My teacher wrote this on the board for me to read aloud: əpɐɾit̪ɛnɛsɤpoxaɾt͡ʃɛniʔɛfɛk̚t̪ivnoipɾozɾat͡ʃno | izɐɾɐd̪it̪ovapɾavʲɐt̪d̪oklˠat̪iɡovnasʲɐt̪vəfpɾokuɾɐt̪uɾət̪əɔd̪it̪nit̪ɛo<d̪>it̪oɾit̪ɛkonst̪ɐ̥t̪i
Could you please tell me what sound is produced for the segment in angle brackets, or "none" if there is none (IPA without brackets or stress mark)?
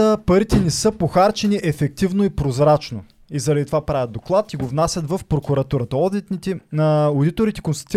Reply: d̪